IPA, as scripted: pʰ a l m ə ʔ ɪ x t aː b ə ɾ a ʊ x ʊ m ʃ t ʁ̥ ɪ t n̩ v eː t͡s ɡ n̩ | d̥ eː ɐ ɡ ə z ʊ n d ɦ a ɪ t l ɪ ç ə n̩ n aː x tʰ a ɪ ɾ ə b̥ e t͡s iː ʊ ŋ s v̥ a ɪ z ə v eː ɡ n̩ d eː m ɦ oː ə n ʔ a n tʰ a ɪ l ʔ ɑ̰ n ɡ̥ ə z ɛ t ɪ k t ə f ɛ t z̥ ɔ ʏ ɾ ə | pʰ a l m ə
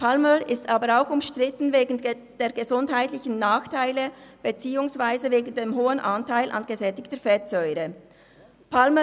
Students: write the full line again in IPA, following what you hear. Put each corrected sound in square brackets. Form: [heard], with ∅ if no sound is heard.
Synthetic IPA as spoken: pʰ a l m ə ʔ ɪ [s] t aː b ə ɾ a ʊ x ʊ m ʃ t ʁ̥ ɪ t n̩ v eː [∅] ɡ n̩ | d̥ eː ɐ ɡ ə z ʊ n d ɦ a ɪ t l ɪ ç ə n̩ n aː x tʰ a ɪ [l] ə b̥ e t͡s iː ʊ ŋ s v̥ a ɪ z ə v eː ɡ n̩ d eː m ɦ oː ə n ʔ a n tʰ a ɪ l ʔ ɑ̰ n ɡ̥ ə z ɛ t ɪ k t ə f ɛ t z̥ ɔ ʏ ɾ ə | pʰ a l m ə